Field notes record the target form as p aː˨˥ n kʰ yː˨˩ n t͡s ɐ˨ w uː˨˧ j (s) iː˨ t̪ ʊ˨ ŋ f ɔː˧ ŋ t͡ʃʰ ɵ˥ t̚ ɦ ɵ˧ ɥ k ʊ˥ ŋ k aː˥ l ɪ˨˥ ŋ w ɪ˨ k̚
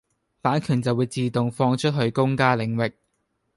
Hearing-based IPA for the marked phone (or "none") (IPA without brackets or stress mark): t͡s